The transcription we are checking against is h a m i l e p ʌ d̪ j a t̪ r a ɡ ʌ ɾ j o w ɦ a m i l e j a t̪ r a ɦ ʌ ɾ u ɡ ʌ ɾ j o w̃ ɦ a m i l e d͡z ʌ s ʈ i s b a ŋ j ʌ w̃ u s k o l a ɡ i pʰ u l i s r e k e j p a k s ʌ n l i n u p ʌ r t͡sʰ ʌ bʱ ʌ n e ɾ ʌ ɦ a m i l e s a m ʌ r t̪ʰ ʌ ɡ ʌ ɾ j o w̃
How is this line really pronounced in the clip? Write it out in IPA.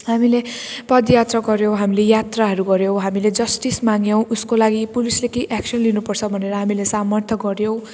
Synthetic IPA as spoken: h a m i l e p ʌ d̪ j a t̪ r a ɡ ʌ ɾ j o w ɦ a m i l e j a t̪ r a ɦ ʌ ɾ u ɡ ʌ ɾ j o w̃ ɦ a m i l e d͡z ʌ s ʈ i s m a ŋ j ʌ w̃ u s k o l a ɡ i p u l i s l e k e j ʔ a k s ʌ n l i n u p ʌ r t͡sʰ ʌ bʱ ʌ n e ɾ ʌ ɦ a m i l e s a m ʌ r t̪ʰ ʌ ɡ ʌ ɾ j o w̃